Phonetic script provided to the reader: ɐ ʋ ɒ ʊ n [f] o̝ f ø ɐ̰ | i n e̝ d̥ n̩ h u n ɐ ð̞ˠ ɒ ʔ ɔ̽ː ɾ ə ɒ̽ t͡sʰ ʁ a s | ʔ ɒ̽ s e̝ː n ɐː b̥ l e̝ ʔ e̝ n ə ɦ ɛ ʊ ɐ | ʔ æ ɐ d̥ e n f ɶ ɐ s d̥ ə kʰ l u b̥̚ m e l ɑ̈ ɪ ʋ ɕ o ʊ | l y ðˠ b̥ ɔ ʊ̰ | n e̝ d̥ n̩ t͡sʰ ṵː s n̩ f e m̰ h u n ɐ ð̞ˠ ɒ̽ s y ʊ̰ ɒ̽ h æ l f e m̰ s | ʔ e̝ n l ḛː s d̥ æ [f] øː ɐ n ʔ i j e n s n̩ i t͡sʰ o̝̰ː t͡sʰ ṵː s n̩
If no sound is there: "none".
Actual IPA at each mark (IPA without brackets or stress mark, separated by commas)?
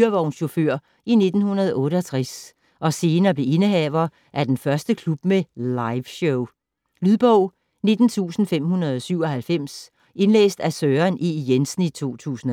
ɕ, s